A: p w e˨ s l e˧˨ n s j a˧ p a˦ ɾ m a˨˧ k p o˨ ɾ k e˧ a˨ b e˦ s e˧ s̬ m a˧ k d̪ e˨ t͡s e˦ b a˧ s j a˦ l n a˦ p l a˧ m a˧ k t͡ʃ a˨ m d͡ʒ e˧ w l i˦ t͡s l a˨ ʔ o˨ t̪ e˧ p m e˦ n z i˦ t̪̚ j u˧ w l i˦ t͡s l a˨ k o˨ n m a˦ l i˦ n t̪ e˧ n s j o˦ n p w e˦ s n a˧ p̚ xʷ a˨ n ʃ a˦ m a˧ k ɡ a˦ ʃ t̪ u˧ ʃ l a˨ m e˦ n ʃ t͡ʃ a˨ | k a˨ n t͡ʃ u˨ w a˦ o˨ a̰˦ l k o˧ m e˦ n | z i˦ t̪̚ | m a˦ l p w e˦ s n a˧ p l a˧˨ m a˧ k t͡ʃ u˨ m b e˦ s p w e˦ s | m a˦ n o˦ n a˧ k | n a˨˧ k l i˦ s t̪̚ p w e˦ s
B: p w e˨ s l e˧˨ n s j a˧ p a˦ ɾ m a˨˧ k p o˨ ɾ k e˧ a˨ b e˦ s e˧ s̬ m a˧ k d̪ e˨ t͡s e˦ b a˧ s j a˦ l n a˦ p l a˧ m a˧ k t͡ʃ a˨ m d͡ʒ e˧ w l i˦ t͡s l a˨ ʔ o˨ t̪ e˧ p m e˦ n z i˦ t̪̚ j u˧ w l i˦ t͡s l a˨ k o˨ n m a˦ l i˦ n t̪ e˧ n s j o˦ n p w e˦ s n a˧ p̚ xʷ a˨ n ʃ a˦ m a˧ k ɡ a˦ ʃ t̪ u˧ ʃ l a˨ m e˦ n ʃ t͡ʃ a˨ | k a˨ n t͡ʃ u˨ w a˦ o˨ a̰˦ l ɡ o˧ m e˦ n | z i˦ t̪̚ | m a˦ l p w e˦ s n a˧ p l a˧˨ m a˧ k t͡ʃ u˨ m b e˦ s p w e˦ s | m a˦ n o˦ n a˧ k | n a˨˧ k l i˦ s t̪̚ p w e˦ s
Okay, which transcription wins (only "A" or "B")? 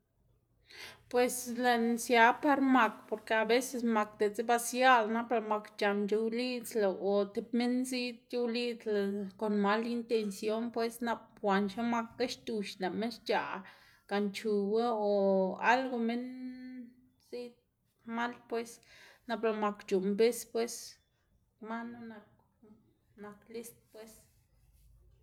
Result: B